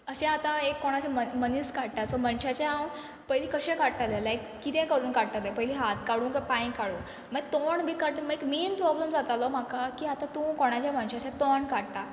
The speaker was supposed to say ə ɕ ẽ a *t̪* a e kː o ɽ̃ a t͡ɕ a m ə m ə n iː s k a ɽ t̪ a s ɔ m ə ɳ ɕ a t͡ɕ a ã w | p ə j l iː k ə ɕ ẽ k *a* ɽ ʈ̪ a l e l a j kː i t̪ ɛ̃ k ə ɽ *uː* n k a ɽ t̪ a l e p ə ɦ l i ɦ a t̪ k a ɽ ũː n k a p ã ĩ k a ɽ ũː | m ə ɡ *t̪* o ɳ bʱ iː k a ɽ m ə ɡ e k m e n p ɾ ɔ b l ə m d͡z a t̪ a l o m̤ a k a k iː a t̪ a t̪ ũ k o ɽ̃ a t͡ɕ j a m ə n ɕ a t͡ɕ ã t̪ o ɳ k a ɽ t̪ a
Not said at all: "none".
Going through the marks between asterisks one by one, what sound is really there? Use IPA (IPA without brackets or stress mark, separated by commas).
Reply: t̪, a, uː, t̪